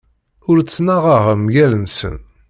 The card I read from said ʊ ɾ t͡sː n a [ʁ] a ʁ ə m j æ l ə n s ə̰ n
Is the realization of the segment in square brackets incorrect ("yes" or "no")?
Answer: no